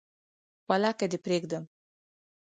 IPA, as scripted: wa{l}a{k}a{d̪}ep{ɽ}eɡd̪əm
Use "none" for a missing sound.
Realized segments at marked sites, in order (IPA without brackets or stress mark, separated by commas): l, k, d̪, ɾ